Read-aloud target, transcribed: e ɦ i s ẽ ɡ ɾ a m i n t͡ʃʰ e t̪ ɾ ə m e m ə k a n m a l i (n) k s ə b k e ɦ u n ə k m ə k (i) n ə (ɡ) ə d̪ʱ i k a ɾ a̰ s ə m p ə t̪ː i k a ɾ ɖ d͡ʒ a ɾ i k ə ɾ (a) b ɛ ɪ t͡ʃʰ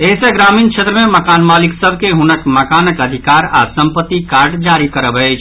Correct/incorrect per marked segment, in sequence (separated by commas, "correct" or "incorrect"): incorrect, incorrect, incorrect, incorrect